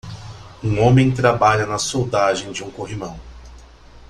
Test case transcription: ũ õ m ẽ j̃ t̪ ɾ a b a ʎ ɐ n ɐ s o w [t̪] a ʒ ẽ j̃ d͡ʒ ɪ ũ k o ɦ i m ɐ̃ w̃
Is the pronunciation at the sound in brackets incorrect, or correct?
incorrect